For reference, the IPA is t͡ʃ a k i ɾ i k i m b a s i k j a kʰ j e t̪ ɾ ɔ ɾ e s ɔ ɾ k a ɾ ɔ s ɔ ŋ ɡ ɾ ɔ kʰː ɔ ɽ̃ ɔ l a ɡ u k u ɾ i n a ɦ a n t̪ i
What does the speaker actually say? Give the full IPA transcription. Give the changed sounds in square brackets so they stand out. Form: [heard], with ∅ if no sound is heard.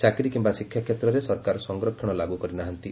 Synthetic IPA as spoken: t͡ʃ a k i ɾ i k i m b a s i [kʰ] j a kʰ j e t̪ ɾ ɔ ɾ e s ɔ ɾ k a ɾ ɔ s ɔ ŋ ɡ ɾ ɔ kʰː ɔ ɽ̃ ɔ l a ɡ u k [ɔ] ɾ i n a ɦ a n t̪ i